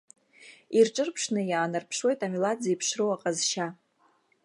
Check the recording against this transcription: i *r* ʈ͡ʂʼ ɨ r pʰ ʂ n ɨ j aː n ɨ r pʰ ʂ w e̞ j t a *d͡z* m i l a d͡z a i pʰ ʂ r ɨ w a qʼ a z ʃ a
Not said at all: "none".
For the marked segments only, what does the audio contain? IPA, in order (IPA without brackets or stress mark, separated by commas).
r, none